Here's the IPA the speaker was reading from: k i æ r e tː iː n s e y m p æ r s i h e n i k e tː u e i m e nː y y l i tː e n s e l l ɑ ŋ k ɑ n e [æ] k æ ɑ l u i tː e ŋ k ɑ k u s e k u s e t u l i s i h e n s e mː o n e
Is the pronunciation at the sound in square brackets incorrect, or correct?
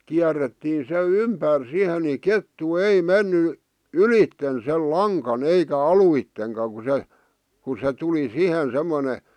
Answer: incorrect